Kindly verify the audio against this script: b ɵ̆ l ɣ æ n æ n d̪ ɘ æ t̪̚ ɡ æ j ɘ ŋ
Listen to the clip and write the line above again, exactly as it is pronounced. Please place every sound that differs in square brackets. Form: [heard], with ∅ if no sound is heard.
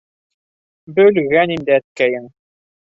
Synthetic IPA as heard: b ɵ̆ l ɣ æ n [i] n d̪ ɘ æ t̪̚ [k] æ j ɘ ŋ

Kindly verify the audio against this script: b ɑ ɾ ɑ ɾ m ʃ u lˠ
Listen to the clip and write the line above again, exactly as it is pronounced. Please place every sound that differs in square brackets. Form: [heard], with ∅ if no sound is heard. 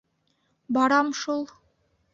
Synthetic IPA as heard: b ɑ ɾ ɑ [∅] m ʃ u lˠ

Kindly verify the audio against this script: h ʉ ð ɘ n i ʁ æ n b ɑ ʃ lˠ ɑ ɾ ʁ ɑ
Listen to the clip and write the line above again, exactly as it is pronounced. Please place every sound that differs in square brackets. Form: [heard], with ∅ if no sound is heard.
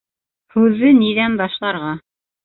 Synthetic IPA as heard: h ʉ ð ɘ n i [ð] æ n b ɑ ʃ lˠ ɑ ɾ ʁ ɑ

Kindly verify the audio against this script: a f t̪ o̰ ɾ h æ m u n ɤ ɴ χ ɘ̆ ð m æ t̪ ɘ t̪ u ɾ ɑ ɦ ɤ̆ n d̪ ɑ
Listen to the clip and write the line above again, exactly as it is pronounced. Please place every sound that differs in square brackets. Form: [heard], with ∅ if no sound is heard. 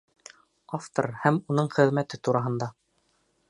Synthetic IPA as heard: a f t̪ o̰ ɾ h æ m u n ɤ ɴ χ ɘ̆ ð m æ t̪ ɘ t̪ u ɾ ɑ ɦ ɤ̆ n d̪ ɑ

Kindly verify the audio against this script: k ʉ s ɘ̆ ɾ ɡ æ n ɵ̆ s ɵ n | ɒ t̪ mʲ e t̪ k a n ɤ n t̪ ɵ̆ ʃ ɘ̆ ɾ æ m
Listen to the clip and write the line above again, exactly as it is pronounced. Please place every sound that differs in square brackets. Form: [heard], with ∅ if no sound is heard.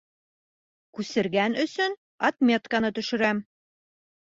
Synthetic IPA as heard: k ʉ s ɘ̆ ɾ ɡ æ n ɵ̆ s ɵ n | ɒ t̪ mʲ e t̪ k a n ɤ [∅] t̪ ɵ̆ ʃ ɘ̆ ɾ æ m

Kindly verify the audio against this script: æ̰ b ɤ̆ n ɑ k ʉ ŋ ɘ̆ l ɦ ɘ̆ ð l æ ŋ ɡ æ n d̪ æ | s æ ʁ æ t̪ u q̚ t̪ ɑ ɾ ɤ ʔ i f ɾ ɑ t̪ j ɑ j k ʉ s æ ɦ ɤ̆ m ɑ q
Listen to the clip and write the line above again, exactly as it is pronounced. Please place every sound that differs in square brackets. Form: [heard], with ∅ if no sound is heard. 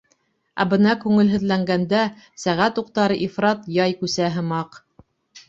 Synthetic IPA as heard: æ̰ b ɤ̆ n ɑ k ʉ ŋ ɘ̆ l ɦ ɘ̆ ð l æ ŋ ɡ æ n d̪ æ | s æ ʁ æ t̪ u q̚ t̪ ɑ ɾ ɤ ʔ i f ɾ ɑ t̪ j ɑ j k ʉ s æ ɦ ɤ̆ m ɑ q

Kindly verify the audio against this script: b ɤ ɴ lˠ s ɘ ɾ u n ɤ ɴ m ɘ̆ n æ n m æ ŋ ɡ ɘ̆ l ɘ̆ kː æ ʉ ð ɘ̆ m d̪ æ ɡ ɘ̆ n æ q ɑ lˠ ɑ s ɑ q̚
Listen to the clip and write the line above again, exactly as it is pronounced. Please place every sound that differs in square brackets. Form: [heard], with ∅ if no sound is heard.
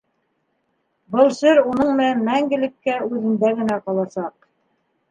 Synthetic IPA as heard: b ɤ [∅] lˠ s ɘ ɾ u n ɤ ɴ m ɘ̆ n æ n m æ ŋ ɡ ɘ̆ l ɘ̆ kː æ ʉ ð ɘ̆ [n] d̪ æ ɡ ɘ̆ n æ q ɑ lˠ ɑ s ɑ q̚

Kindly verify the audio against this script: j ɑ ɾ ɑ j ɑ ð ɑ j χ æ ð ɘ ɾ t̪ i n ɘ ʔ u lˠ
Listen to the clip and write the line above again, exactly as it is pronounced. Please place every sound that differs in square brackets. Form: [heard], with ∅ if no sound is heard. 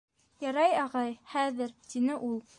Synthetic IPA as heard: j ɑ ɾ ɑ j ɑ [ʁ] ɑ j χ æ ð ɘ ɾ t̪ i n ɘ ʔ u lˠ

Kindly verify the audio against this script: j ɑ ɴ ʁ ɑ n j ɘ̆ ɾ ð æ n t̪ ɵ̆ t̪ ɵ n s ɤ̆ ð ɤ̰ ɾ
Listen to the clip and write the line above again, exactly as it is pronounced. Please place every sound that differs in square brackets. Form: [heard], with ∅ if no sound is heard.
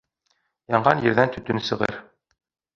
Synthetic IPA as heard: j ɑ ɴ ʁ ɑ n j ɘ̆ ɾ ð æ n t̪ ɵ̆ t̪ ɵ n s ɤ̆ [ʁ] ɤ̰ ɾ

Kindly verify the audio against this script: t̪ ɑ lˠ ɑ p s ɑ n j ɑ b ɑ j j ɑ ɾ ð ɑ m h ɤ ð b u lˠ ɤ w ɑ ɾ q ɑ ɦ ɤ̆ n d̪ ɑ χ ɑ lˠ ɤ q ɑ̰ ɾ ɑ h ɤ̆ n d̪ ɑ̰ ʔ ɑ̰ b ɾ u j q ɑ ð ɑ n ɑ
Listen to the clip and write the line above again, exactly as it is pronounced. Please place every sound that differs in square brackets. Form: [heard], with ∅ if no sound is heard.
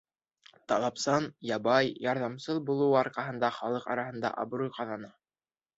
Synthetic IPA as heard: t̪ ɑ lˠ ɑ p s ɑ n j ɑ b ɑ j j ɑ ɾ ð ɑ m [s] ɤ ð b u lˠ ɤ w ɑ ɾ q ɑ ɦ ɤ̆ n d̪ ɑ χ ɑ lˠ ɤ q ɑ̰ ɾ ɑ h ɤ̆ n d̪ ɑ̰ ʔ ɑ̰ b ɾ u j q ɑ ð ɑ n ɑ

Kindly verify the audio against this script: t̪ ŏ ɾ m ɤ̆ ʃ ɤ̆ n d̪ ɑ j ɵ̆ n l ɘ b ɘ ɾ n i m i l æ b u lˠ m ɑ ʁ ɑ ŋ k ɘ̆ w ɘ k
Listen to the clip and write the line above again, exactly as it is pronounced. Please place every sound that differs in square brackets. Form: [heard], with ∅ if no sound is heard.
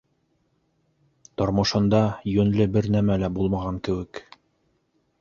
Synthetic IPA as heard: t̪ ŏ ɾ m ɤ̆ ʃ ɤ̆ n d̪ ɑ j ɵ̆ n l ɘ b ɘ ɾ n [æ] m [æ] l æ b u lˠ m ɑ ʁ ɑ ŋ k ɘ̆ w ɘ k

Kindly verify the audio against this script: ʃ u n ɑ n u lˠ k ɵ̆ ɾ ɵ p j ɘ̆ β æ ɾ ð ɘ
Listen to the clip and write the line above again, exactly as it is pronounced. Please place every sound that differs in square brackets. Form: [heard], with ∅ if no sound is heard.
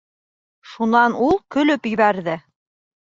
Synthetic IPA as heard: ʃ u n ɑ n u lˠ k ɵ̆ [l] ɵ p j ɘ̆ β æ ɾ ð ɘ

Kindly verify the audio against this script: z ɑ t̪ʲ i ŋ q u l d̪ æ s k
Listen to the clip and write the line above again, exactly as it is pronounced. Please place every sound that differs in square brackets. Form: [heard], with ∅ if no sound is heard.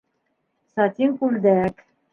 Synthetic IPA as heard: [s] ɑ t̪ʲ i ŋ [k] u l d̪ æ [∅] k

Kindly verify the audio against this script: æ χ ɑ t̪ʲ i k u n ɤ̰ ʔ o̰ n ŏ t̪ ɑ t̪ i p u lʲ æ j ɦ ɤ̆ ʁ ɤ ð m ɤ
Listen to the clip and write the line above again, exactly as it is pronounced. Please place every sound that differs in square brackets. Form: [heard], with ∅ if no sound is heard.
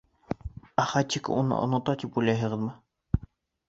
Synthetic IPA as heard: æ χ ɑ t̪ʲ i k u n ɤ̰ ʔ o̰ n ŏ t̪ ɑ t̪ i p u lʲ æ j ɦ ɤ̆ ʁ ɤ ð m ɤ

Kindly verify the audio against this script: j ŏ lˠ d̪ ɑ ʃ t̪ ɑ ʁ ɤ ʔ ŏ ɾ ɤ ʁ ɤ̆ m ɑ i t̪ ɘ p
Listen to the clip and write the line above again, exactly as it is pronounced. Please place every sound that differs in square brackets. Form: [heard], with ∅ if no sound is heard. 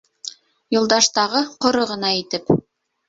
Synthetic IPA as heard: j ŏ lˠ d̪ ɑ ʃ t̪ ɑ ʁ ɤ [q] ŏ ɾ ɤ ʁ ɤ̆ [n] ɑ i t̪ ɘ p

